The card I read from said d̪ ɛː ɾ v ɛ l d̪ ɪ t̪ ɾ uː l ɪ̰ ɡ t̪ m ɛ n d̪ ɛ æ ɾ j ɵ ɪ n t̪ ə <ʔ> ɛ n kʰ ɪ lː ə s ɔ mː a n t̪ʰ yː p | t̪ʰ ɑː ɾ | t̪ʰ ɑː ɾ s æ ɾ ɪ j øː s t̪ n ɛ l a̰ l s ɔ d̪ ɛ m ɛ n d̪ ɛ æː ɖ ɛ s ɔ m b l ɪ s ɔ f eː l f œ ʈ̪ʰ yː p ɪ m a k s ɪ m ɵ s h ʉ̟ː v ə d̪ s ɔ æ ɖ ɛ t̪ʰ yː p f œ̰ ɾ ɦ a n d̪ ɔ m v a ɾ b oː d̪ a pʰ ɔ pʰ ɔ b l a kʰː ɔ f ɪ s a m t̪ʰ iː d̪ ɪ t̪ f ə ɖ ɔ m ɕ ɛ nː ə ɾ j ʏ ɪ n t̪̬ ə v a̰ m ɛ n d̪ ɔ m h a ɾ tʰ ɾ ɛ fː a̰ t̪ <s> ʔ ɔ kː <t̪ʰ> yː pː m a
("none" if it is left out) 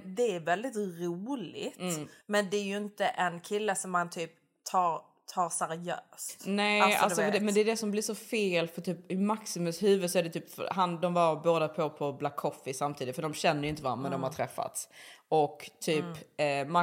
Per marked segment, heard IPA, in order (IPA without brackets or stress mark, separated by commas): ʔ, s, t̪ʰ